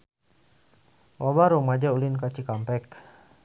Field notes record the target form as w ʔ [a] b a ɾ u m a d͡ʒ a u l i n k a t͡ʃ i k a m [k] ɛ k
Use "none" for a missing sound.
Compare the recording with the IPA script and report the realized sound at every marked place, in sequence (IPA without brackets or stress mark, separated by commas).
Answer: a, p